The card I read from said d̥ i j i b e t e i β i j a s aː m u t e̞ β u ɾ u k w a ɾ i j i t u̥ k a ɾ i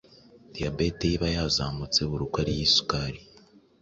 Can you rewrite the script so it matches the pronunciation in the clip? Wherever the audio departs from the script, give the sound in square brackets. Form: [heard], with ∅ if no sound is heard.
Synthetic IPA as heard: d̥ i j [a] b e t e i β [a] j a [z] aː m u [t͡s] e̞ β u ɾ u k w a ɾ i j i [s] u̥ k a ɾ i